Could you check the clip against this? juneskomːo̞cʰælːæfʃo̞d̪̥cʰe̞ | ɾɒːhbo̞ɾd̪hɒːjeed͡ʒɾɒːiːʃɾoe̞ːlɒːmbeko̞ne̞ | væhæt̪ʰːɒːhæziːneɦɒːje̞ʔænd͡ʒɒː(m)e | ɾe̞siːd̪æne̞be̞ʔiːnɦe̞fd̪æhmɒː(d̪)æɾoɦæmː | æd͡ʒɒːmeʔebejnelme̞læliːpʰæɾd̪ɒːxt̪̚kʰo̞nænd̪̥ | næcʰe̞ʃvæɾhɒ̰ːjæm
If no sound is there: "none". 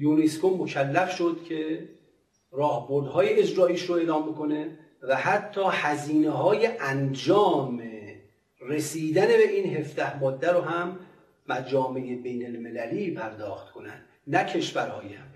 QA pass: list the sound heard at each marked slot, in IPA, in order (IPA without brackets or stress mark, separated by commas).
m, d̪ː